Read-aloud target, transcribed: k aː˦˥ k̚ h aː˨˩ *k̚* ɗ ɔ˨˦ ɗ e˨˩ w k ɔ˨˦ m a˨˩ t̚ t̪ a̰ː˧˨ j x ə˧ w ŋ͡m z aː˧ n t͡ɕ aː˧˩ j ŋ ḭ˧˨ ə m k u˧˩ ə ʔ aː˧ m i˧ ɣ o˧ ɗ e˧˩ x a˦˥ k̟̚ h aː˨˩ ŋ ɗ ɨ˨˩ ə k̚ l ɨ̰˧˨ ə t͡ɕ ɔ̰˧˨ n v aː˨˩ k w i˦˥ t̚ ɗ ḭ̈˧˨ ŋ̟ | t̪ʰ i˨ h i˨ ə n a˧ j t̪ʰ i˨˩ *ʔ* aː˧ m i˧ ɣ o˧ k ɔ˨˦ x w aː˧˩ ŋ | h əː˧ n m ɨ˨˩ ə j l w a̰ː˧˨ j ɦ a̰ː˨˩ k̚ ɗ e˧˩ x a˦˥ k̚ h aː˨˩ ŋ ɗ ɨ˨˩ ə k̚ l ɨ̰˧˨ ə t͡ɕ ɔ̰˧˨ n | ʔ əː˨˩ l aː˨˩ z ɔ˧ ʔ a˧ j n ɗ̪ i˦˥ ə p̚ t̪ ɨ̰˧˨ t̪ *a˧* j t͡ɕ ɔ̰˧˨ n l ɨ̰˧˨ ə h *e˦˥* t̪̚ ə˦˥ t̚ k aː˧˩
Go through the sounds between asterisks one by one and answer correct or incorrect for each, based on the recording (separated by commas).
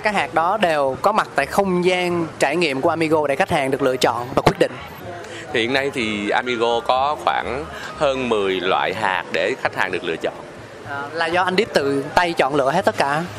correct, correct, correct, correct